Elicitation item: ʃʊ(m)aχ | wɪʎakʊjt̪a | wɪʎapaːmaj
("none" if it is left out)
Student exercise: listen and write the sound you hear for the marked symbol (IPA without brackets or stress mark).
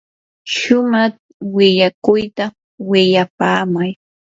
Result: m